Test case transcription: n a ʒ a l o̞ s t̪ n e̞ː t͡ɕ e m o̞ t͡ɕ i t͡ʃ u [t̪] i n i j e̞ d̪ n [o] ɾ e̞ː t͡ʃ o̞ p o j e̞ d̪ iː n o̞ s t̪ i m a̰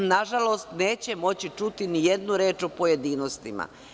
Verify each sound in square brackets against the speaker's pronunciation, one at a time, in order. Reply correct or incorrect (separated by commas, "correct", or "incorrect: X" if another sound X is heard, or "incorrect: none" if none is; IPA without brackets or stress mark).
correct, incorrect: u